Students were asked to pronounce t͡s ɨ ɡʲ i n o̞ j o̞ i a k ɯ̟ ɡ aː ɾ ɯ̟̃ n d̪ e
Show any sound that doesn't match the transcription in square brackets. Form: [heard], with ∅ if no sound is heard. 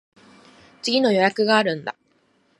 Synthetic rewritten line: t͡s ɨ ɡʲ i n o̞ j o̞ [j] a k ɯ̟ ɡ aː ɾ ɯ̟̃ n d̪ [a]

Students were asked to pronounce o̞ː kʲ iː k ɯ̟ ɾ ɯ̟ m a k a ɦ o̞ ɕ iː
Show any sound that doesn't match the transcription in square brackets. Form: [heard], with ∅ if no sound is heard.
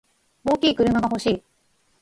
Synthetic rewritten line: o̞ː kʲ iː k ɯ̟ ɾ ɯ̟ m a [ɡ] a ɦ o̞ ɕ iː

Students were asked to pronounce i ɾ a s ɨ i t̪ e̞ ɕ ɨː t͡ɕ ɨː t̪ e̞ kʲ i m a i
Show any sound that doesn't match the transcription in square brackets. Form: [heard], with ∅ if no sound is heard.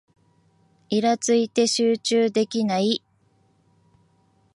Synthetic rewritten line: i ɾ a [t͡s] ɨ i t̪ e̞ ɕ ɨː t͡ɕ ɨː [d̪] e̞ kʲ i [n] a i

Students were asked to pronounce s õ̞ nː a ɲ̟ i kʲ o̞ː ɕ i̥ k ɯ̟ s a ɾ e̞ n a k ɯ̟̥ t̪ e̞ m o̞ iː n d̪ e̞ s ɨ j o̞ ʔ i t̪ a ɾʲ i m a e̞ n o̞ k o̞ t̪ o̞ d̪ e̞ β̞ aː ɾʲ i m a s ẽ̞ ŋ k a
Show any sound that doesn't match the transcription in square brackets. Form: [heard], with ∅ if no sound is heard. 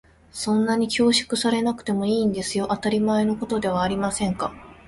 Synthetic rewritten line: s õ̞ nː a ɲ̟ i kʲ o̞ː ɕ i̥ k ɯ̟ s a ɾ e̞ n a k ɯ̟̥ t̪ e̞ m o̞ iː n d̪ e̞ s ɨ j o̞ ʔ [a] t̪ a ɾʲ i m a e̞ n o̞ k o̞ t̪ o̞ d̪ e̞ β̞ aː ɾʲ i m a s ẽ̞ ŋ k a

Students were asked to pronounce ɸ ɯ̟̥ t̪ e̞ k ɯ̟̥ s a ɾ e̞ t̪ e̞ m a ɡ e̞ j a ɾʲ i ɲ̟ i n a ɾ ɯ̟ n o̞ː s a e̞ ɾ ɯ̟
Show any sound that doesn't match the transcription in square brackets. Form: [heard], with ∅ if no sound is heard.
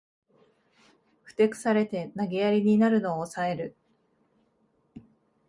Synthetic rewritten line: ɸ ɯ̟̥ t̪ e̞ k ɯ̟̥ s a ɾ e̞ t̪ e̞ [n] a ɡ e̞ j a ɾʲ i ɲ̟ i n a ɾ ɯ̟ n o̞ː s a e̞ ɾ ɯ̟

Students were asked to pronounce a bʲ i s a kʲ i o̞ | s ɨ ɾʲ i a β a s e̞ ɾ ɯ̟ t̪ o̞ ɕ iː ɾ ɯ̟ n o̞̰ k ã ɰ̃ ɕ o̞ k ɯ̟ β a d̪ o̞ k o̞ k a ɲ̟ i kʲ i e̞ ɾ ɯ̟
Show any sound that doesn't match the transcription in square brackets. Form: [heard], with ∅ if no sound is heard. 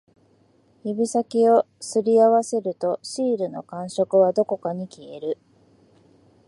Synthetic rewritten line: [i] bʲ i s a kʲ i o̞ | s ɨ ɾʲ i a β a s e̞ ɾ ɯ̟ t̪ o̞ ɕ iː ɾ ɯ̟ n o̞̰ k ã ɰ̃ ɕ o̞ k ɯ̟ β a d̪ o̞ k o̞ k a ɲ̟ i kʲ i e̞ ɾ ɯ̟

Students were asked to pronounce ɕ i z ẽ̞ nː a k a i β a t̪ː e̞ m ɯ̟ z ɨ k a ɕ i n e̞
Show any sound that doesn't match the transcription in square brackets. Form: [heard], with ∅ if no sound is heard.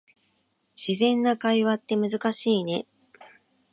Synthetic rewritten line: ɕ i z ẽ̞ nː a k a i β a t̪ː e̞ m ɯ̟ z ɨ k a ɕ [iː] n e̞

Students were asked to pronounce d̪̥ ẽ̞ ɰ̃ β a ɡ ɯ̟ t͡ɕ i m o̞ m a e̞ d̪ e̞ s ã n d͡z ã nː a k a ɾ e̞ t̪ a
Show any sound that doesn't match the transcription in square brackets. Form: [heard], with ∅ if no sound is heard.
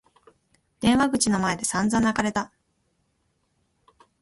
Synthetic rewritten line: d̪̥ ẽ̞ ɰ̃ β a ɡ ɯ̟ t͡ɕ i [n] o̞ m a e̞ d̪ e̞ s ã n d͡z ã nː a k a ɾ e̞ t̪ a

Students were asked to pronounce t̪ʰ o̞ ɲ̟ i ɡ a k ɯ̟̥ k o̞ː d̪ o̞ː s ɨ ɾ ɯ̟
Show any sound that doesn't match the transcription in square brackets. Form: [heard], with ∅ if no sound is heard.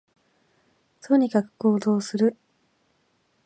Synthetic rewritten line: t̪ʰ o̞ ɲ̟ i [k] a k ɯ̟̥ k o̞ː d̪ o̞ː s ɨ ɾ ɯ̟

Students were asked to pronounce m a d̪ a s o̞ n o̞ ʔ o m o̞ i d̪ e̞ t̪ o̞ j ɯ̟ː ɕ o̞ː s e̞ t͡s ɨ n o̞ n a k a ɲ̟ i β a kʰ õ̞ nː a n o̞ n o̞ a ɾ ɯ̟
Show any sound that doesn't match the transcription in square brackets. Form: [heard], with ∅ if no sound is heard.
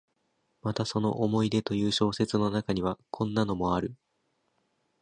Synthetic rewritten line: m a [t̪] a s o̞ n o̞ ʔ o m o̞ i d̪ e̞ t̪ o̞ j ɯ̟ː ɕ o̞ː s e̞ t͡s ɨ n o̞ n a k a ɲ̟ i β a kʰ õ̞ nː a n o̞ [m] o̞ a ɾ ɯ̟

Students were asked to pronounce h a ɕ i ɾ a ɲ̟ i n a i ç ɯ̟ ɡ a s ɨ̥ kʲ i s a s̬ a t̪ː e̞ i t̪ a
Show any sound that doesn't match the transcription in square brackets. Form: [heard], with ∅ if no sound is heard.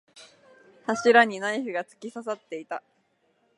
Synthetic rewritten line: h a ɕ i ɾ a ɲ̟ i n a i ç ɯ̟ ɡ a [t͡s] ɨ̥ kʲ i s a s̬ a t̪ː e̞ i t̪ a

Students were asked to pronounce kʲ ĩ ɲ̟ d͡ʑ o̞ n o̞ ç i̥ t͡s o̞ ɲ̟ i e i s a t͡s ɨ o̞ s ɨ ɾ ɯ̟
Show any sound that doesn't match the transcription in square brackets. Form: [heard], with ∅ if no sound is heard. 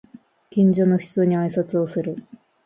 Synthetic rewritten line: kʲ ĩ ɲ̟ d͡ʑ o̞ n o̞ ç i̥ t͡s o̞ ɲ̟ i [a] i s a t͡s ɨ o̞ s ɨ ɾ ɯ̟

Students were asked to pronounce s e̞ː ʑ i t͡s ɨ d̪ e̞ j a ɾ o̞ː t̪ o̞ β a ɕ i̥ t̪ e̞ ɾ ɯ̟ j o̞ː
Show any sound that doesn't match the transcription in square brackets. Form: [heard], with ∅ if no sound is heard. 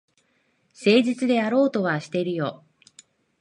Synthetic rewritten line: s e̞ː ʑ i t͡s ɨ d̪ e̞ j a ɾ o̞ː t̪ o̞ β a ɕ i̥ t̪ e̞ ɾ ɯ̟ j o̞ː

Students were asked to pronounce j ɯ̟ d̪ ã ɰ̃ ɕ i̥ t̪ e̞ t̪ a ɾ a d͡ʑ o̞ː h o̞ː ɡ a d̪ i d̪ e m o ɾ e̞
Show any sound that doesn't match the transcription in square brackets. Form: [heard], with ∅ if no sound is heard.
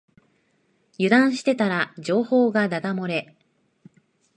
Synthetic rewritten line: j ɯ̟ d̪ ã ɰ̃ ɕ i̥ t̪ e̞ t̪ a ɾ a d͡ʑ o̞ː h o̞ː ɡ a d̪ [a] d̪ [a] m o ɾ e̞

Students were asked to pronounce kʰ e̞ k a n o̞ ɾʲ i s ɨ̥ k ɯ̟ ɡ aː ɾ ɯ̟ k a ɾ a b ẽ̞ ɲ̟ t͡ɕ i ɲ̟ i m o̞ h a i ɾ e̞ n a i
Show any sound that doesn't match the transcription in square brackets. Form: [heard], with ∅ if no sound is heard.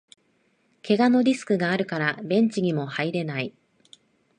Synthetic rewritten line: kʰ e̞ [ɡ] a n o̞ ɾʲ i s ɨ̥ k ɯ̟ ɡ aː ɾ ɯ̟ k a ɾ a b ẽ̞ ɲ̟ t͡ɕ i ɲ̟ i m o̞ h a i ɾ e̞ n a i

